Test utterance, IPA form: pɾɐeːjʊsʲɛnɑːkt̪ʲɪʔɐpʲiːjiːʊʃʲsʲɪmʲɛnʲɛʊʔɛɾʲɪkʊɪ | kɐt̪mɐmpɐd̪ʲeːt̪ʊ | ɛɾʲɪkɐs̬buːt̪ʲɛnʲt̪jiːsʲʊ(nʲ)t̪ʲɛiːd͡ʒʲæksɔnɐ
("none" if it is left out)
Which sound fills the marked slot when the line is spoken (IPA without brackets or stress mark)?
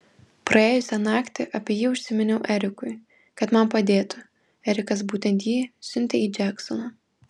nʲ